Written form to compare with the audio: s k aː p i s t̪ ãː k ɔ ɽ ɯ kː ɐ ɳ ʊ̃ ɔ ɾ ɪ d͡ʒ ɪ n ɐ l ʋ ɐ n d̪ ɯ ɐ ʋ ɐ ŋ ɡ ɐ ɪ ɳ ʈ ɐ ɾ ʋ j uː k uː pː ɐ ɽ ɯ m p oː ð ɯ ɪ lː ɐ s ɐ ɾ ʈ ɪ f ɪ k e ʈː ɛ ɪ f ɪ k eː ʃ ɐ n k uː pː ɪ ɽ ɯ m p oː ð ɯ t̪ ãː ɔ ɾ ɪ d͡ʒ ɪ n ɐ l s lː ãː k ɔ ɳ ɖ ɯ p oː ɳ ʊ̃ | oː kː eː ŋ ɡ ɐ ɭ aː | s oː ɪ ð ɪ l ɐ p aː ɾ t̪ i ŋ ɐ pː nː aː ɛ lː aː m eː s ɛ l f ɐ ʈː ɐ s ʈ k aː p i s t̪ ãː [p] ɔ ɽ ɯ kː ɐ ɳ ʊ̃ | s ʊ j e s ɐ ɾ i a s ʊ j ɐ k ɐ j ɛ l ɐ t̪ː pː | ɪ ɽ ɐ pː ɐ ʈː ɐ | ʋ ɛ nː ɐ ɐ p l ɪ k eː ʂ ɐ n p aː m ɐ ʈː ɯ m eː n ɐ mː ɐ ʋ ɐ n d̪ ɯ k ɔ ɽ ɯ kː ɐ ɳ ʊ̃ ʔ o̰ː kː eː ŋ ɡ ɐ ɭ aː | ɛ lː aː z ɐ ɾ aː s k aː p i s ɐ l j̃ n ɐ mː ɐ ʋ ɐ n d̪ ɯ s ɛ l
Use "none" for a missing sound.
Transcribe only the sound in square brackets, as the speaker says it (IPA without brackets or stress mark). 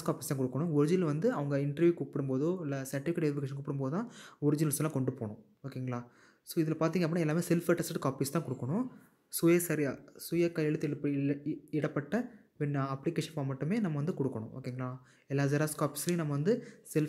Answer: k